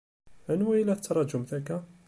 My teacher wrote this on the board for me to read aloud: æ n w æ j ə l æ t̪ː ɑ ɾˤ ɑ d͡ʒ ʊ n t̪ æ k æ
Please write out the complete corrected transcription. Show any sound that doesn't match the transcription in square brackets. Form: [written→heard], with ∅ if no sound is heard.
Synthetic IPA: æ n w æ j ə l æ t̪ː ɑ ɾˤ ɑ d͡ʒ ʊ [n→m] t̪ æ k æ